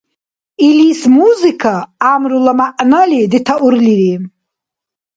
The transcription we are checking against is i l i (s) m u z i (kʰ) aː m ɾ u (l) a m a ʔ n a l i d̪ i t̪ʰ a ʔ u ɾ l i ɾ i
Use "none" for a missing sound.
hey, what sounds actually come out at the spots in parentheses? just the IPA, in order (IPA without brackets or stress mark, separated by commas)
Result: s, kʰ, l